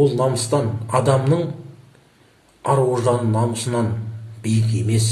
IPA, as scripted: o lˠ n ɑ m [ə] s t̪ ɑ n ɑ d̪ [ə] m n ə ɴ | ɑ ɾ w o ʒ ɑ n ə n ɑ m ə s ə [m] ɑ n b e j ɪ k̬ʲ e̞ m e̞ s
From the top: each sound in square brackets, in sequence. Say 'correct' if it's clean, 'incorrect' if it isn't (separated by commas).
correct, incorrect, incorrect